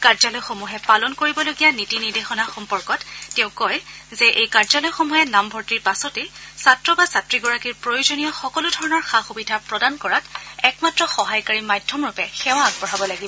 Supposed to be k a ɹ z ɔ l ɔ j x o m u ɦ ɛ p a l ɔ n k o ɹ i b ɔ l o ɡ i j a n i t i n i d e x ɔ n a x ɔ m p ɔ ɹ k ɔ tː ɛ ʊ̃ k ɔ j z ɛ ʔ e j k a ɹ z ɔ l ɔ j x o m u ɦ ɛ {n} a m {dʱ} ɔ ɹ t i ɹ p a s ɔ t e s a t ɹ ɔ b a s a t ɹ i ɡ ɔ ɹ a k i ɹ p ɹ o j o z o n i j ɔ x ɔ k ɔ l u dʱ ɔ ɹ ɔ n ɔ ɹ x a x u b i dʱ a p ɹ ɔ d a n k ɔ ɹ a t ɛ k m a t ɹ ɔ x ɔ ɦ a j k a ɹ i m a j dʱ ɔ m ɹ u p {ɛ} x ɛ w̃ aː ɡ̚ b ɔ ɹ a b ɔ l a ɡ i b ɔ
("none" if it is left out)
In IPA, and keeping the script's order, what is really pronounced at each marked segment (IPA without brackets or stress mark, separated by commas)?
n, bʱ, ɛ